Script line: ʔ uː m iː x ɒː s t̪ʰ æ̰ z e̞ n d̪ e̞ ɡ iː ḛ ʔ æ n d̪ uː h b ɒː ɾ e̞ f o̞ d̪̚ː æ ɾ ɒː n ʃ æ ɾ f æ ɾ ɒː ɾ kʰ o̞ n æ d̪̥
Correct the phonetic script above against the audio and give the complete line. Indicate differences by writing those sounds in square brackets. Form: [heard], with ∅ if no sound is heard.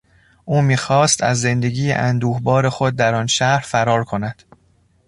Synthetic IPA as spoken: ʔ uː m iː x ɒː s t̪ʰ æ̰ [zː] e̞ n d̪ e̞ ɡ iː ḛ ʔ æ n d̪ uː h b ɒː ɾ e̞ [x] o̞ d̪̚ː æ ɾ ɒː n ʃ æ ɾ f æ ɾ ɒː ɾ kʰ o̞ n æ d̪̥